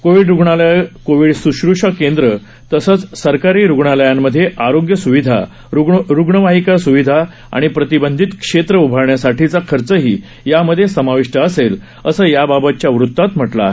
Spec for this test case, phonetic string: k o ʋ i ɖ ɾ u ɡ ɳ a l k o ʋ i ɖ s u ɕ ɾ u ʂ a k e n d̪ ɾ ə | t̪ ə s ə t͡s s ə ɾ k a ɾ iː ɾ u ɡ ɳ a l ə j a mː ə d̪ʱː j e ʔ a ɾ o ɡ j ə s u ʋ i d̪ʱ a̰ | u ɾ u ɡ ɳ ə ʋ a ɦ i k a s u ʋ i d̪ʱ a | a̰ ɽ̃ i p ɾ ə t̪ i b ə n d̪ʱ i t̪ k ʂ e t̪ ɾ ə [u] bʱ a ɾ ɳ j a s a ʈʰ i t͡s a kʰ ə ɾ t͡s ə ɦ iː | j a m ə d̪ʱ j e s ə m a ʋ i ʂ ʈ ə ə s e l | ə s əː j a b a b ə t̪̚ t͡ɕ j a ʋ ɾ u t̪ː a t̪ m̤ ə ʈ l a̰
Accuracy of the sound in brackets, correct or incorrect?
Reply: correct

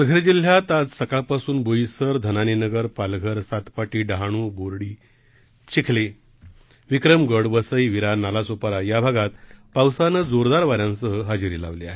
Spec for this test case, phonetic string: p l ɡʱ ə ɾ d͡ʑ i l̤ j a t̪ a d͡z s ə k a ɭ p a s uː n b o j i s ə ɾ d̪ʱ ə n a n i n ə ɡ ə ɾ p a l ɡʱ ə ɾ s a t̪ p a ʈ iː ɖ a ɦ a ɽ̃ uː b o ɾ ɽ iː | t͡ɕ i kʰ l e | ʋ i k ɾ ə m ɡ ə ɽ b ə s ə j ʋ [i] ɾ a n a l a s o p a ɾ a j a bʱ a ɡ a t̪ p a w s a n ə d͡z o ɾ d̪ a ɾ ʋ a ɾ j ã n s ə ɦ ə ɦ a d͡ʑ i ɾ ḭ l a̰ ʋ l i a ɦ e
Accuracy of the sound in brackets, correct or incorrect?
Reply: correct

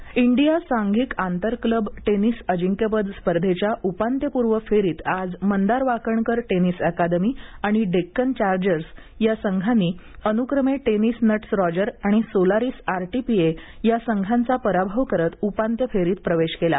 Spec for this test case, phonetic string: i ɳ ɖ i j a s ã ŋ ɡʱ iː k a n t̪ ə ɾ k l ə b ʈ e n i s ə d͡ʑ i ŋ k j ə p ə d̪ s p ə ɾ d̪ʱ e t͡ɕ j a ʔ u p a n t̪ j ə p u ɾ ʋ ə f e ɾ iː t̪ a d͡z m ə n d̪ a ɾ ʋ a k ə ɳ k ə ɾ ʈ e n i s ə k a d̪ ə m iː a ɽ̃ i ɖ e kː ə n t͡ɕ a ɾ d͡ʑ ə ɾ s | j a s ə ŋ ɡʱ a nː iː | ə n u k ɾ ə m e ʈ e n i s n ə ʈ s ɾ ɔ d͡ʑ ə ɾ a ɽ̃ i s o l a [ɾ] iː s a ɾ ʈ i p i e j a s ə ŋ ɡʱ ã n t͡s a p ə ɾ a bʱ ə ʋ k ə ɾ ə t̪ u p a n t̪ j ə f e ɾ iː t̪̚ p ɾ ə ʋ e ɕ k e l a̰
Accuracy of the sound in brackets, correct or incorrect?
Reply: correct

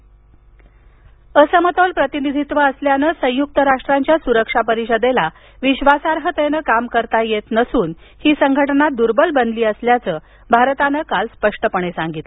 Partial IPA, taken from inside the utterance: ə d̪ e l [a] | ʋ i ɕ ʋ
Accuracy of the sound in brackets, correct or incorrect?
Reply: correct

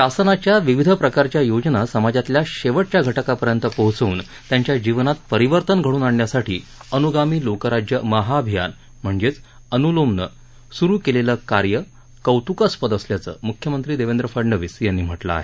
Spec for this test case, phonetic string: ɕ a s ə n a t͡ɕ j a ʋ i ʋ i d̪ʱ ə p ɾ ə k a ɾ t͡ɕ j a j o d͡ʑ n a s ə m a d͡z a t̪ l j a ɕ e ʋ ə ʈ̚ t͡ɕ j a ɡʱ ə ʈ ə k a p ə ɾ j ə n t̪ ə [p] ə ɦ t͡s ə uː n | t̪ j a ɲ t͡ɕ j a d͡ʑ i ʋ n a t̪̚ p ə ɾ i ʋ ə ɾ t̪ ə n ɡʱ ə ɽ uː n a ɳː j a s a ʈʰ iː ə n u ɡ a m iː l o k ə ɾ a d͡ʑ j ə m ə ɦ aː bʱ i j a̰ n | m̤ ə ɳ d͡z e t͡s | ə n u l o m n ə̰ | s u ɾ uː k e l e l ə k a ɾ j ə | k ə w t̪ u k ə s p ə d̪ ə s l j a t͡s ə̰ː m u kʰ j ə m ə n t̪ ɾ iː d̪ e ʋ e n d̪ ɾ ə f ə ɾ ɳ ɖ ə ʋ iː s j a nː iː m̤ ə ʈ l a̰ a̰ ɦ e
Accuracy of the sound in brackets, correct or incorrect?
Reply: correct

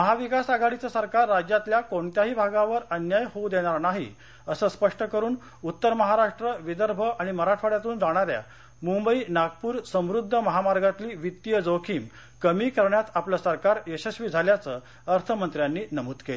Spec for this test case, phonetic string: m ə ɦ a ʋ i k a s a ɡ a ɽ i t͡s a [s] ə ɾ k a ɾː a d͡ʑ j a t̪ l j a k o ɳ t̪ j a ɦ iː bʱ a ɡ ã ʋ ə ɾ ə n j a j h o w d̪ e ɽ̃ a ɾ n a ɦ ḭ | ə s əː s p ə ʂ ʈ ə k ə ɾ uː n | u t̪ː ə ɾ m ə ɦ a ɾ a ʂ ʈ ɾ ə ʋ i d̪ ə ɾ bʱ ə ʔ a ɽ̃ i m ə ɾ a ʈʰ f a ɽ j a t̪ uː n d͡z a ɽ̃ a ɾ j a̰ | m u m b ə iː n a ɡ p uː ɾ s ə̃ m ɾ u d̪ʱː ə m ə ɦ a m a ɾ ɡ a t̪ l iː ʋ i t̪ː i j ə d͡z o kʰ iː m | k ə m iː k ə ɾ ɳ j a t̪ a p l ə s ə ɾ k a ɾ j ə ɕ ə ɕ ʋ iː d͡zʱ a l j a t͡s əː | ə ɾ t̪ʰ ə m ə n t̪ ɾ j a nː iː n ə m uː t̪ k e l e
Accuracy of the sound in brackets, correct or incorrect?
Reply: correct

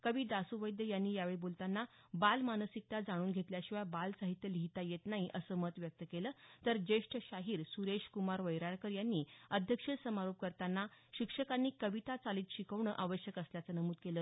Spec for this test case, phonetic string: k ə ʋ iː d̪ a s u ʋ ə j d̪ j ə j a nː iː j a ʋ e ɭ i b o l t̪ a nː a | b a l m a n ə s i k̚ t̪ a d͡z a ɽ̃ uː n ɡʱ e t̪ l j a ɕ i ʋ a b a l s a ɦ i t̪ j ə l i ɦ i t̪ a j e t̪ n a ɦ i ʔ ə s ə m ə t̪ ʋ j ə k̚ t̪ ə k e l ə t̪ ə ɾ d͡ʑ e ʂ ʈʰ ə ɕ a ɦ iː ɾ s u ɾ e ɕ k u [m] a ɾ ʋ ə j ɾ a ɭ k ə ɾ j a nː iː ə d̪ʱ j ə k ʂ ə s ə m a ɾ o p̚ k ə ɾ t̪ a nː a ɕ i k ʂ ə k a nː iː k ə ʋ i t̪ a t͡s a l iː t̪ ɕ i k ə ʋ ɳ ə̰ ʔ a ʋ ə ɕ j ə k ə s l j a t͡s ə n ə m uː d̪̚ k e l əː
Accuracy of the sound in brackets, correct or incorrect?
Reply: correct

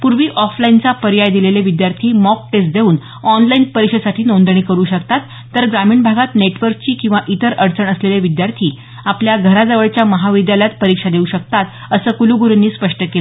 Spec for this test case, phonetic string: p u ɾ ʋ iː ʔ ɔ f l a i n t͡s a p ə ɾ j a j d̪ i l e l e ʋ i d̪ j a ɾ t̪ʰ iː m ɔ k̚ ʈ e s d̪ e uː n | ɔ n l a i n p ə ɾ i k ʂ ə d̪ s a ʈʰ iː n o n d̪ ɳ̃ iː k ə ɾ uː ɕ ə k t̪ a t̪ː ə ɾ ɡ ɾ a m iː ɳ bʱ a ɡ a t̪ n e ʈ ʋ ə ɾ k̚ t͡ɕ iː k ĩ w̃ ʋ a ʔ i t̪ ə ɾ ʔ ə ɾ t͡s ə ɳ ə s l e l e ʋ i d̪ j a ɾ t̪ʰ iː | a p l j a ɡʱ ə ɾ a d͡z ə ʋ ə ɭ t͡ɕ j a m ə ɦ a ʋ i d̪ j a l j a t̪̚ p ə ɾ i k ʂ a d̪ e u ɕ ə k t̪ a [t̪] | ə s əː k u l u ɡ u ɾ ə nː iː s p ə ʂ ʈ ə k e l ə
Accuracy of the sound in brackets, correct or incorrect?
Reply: correct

